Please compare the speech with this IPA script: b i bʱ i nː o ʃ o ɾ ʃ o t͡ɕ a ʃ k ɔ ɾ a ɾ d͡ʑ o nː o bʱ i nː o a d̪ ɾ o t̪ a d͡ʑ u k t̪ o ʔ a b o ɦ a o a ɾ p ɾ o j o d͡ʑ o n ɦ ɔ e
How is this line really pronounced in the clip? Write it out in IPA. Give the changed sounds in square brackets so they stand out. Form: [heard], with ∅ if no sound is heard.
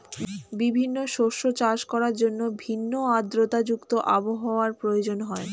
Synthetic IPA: b i bʱ i nː o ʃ o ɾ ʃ o t͡ɕ a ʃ k ɔ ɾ a ɾ d͡ʑ o nː o bʱ i nː o a d̪ ɾ o t̪ a d͡ʑ u k t̪ o ʔ a b o ɦ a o a ɾ p ɾ o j o d͡ʑ o n ɦ ɔ e